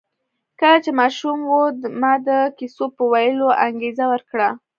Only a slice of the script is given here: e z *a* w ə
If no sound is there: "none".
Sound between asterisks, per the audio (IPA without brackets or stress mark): a